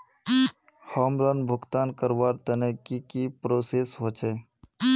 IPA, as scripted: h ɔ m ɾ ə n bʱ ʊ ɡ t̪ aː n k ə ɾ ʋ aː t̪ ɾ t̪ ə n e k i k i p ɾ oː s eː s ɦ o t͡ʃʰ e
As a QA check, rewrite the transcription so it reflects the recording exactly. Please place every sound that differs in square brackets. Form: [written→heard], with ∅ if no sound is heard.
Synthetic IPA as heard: h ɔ m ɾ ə n bʱ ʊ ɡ t̪ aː n k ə ɾ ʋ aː [t̪→∅] ɾ t̪ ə n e k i k i p ɾ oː s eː s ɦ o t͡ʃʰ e

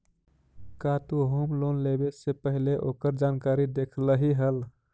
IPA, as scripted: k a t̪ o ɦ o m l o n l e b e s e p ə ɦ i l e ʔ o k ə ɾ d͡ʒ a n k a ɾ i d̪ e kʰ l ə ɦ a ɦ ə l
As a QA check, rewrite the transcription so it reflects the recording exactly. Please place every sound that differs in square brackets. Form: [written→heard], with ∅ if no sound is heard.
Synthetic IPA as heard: k a t̪ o ɦ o m l o n l e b e s e p ə ɦ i l e ʔ o k ə ɾ d͡ʒ a n k a ɾ i d̪ e kʰ l ə ɦ [a→i] ɦ ə l

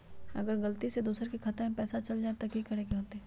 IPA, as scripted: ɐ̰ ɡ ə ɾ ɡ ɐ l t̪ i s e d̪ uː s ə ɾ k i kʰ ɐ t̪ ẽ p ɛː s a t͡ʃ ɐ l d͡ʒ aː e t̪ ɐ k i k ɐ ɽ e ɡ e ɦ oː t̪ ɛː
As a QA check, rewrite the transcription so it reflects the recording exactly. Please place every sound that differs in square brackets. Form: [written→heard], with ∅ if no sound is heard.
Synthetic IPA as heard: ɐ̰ ɡ ə ɾ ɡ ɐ l t̪ i s e d̪ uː s ə ɾ k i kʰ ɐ t̪ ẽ p ɛː s a t͡ʃ ɐ l d͡ʒ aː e t̪ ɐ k i k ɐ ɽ e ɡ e ɦ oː t̪ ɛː

